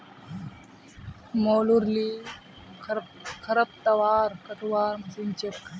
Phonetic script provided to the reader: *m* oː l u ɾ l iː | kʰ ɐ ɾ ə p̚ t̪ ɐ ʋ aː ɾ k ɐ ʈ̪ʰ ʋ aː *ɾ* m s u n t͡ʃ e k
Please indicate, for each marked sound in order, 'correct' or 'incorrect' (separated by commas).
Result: correct, correct